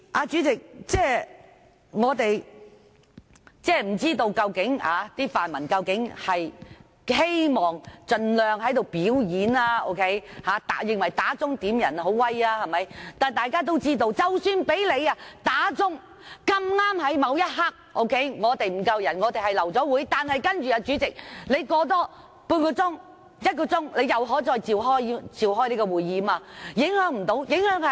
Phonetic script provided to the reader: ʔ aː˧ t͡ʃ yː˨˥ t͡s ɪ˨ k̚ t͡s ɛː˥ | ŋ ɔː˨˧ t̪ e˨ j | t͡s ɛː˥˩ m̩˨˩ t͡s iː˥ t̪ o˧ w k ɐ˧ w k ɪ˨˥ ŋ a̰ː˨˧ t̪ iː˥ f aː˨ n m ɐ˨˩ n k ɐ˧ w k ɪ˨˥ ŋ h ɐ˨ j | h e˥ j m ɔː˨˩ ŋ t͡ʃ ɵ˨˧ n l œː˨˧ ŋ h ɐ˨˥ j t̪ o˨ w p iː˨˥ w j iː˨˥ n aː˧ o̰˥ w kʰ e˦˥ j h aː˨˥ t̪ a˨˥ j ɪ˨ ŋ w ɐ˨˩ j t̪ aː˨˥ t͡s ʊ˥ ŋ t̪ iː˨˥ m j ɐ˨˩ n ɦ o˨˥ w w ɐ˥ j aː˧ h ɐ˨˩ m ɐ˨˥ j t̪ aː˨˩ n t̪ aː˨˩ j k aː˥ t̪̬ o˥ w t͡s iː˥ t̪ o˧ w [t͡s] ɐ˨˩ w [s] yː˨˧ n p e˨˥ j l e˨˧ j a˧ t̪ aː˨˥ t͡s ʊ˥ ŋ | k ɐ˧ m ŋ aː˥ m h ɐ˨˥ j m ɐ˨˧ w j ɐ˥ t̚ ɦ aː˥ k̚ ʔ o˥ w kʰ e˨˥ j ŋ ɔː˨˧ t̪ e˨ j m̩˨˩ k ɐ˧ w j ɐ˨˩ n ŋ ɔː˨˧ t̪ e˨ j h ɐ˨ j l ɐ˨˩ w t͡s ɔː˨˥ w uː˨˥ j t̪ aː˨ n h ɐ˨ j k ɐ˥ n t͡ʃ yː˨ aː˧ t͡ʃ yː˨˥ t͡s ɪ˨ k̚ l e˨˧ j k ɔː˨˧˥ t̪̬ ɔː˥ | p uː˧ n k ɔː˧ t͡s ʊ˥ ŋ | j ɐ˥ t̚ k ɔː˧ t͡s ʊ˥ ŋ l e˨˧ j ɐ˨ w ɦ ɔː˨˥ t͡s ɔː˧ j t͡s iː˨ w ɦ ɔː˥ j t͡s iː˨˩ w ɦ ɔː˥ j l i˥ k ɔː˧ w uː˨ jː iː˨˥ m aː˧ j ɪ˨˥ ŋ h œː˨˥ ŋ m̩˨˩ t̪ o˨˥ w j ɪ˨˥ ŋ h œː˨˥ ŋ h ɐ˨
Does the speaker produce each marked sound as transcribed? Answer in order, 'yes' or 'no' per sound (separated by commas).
yes, yes